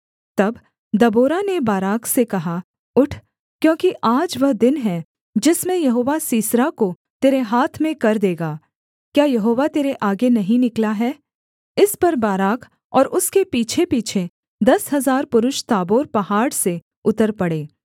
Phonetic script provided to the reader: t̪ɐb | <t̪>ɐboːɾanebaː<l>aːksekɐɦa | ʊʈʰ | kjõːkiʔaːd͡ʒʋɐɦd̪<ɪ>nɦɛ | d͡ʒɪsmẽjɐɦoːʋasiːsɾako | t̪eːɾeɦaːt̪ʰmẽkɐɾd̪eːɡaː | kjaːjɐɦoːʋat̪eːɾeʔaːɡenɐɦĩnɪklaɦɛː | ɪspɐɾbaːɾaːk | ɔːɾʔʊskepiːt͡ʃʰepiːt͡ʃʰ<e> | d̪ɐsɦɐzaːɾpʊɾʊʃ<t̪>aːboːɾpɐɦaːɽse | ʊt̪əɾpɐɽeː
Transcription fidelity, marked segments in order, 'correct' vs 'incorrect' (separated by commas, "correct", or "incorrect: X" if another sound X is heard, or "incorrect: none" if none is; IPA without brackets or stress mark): incorrect: d̪, incorrect: ɾ, correct, correct, correct